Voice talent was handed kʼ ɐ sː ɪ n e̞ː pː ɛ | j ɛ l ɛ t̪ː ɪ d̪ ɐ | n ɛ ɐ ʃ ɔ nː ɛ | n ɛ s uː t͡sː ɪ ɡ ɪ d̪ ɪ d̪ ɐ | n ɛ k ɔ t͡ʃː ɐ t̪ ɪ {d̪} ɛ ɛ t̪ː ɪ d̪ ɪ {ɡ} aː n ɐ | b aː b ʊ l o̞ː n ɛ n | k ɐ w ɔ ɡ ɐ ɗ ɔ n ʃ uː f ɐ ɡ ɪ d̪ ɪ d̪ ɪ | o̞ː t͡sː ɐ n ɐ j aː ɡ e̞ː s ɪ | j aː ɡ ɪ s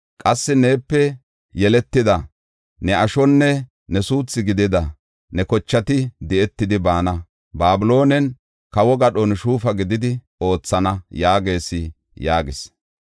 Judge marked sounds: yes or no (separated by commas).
yes, no